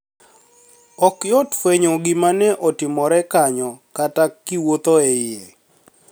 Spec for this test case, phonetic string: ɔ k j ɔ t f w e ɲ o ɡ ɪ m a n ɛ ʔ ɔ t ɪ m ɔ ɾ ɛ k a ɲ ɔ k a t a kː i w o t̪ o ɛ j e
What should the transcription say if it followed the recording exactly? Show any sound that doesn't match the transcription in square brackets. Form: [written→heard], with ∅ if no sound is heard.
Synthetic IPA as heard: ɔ k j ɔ t f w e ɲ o ɡ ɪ m a n ɛ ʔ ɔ t ɪ m ɔ ɾ ɛ k a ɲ ɔ k a t a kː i w o t̪ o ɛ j e